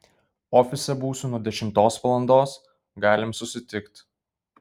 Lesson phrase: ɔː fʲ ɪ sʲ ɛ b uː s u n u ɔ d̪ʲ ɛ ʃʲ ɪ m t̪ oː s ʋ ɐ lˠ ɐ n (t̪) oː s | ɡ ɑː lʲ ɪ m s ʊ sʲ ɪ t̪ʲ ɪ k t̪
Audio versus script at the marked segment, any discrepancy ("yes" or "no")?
yes